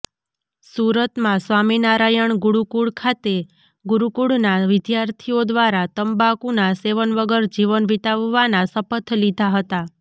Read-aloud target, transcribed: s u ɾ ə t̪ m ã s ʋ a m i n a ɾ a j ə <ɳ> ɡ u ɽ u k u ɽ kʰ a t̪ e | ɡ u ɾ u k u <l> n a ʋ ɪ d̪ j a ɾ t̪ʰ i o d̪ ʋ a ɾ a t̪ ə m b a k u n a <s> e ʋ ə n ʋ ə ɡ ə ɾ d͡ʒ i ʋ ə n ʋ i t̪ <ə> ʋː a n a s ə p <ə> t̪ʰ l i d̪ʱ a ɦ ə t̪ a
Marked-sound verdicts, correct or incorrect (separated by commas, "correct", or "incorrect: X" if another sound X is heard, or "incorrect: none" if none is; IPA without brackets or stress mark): correct, incorrect: ɽ, correct, incorrect: a, correct